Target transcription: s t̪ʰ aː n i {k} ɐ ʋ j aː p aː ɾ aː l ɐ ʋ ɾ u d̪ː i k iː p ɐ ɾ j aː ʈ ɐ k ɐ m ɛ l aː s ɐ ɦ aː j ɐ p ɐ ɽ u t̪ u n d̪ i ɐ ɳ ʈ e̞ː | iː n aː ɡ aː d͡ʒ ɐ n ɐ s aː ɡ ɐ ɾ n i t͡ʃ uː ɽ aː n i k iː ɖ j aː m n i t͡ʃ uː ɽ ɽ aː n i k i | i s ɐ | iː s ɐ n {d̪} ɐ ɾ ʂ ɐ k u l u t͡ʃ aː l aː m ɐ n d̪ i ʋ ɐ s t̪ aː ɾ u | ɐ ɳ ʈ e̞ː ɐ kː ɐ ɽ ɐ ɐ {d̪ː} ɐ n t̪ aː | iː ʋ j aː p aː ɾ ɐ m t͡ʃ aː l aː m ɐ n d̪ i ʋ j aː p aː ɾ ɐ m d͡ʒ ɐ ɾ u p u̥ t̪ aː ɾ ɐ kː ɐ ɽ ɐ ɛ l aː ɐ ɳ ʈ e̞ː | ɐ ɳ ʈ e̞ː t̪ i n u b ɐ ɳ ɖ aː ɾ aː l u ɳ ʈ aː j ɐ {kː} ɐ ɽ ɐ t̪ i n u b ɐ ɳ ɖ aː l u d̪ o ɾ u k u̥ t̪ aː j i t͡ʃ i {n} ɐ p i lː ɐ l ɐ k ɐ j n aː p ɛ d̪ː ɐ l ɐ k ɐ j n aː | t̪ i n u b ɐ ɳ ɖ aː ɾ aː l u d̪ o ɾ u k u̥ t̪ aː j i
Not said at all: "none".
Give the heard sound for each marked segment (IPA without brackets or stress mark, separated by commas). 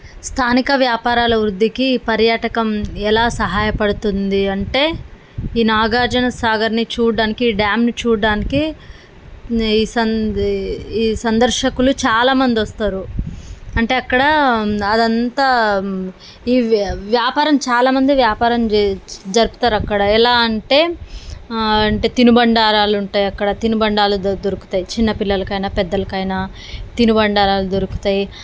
k, d̪, d̪, kː, nː